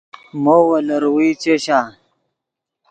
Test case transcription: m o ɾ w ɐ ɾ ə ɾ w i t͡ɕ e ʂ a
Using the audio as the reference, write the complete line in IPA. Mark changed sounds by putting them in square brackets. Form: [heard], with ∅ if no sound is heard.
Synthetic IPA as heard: m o [∅] w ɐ [l] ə ɾ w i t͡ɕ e [ɕ] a